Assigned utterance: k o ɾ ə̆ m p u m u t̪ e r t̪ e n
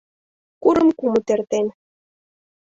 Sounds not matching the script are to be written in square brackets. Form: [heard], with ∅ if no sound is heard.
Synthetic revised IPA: k [u] ɾ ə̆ m [k] u m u t̪ e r t̪ e n